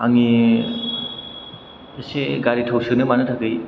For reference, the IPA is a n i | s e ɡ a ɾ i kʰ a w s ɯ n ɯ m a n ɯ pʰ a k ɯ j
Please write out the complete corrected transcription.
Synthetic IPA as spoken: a ŋ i | s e ɡ a ɾ i tʰ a w s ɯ n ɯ m a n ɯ tʰ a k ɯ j